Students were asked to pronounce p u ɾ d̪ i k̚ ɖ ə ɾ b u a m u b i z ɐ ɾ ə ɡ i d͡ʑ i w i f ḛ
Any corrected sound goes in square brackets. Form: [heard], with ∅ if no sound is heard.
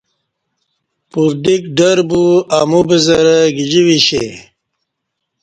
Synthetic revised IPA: p u ɾ d̪ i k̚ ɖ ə ɾ b u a m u b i z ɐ ɾ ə ɡ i d͡ʑ i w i [ɕ] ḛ